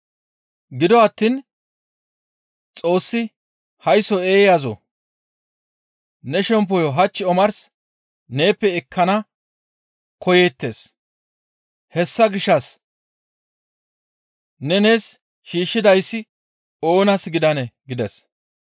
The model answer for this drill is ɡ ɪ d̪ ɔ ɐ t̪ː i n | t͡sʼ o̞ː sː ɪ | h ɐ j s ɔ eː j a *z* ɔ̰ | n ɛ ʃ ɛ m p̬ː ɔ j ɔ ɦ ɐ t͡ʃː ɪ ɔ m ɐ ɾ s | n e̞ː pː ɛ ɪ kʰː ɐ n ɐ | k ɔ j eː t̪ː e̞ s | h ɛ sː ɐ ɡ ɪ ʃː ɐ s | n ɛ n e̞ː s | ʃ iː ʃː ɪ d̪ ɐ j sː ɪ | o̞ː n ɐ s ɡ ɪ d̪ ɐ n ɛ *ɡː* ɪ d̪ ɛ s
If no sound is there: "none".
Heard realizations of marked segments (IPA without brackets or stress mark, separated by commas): z, ɡ